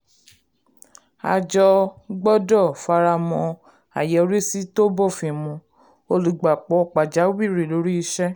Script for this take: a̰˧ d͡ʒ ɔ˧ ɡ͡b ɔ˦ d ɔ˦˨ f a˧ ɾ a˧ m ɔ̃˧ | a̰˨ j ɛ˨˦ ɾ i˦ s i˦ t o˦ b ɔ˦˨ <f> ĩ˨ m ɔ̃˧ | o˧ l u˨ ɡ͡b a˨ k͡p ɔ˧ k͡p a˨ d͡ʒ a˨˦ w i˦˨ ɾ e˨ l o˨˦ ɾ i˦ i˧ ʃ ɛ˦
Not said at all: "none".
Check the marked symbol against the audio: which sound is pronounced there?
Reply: f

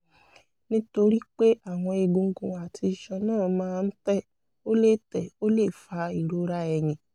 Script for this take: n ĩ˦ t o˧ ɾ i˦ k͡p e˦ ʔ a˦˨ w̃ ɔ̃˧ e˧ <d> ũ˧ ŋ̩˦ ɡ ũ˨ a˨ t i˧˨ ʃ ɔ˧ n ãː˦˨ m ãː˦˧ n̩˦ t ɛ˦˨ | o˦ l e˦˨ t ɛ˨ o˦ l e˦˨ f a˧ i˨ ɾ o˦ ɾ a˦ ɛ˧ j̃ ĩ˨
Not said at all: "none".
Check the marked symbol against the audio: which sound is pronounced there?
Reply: ɡ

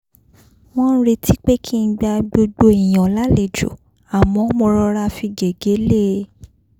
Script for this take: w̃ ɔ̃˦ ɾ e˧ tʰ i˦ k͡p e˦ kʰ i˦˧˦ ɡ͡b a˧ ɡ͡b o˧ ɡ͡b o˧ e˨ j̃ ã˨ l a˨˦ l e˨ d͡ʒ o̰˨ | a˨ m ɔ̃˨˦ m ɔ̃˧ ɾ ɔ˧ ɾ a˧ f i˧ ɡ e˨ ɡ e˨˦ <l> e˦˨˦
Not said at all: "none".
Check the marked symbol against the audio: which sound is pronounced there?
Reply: l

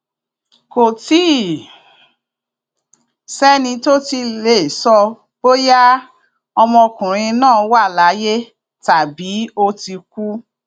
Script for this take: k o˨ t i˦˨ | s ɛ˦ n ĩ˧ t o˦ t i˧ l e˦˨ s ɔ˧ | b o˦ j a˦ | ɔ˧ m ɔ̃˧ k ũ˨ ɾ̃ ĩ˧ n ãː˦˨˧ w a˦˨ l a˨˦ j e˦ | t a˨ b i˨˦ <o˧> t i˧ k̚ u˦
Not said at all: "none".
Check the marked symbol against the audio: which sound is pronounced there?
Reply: o˧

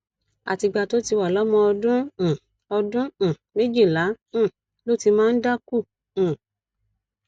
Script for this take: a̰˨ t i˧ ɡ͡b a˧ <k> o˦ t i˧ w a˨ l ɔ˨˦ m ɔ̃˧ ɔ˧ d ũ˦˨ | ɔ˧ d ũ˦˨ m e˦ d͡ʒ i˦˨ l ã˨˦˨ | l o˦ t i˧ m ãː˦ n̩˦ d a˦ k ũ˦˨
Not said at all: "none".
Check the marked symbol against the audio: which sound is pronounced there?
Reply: t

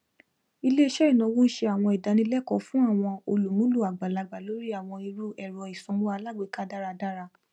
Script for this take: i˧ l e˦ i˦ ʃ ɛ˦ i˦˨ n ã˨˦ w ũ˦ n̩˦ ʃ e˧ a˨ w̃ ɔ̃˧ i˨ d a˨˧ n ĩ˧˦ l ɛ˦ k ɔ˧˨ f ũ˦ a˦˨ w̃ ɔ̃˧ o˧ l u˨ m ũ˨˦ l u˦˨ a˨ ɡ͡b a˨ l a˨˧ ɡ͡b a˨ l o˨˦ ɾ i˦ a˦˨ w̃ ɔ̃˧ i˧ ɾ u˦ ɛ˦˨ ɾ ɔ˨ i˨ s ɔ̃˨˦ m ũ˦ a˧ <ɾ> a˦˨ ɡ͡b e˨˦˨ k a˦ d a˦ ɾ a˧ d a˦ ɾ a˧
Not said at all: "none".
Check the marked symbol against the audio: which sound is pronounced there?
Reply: l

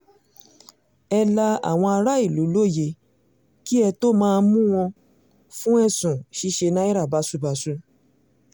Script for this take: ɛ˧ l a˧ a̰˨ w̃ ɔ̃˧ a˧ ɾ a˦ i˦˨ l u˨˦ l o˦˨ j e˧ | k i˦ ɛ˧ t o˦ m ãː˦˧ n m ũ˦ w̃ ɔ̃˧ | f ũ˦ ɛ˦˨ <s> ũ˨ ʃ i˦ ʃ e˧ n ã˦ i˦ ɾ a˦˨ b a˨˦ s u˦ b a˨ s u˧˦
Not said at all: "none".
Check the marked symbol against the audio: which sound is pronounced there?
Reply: s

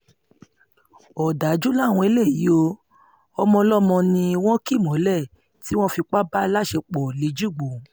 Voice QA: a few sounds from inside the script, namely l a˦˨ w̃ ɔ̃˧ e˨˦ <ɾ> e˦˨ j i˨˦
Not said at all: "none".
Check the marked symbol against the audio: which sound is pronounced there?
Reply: l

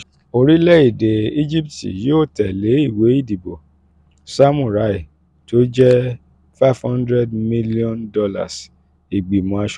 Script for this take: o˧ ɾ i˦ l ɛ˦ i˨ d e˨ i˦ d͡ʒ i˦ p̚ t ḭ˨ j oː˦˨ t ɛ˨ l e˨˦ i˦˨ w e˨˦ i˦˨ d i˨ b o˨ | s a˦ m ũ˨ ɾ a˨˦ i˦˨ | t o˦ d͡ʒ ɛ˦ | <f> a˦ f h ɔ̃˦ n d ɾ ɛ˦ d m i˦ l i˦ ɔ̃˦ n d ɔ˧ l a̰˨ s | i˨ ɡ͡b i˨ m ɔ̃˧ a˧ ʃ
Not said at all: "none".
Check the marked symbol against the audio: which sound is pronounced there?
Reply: f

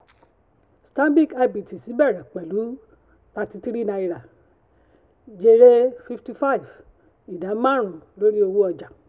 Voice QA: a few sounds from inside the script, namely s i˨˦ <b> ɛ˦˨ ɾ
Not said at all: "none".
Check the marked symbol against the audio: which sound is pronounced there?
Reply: b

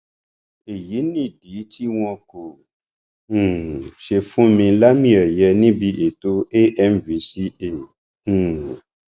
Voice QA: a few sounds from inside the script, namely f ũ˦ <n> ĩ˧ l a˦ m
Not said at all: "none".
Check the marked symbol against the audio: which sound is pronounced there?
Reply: m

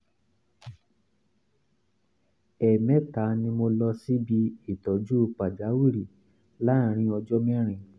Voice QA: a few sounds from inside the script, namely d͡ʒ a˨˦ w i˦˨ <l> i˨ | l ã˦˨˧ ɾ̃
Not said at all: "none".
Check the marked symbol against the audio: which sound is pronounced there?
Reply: ɾ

